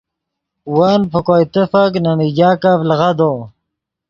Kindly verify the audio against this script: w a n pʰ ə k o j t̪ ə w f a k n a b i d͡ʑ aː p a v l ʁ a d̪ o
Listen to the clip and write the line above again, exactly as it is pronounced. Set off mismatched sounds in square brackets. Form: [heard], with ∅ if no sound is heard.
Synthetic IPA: w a n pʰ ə k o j t̪ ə [∅] f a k n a [m] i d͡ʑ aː [k] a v l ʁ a d̪ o